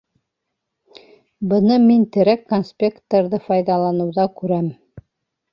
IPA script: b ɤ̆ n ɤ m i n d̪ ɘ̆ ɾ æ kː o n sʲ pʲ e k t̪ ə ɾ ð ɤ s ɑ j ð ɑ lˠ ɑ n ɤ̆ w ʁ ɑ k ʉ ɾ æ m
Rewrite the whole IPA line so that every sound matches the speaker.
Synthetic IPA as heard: b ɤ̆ n ɤ m i n t̪ ɘ̆ ɾ æ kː o n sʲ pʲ e k t̪ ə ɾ ð ɤ f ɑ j ð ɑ lˠ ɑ n ɤ̆ w ð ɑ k ʉ ɾ æ m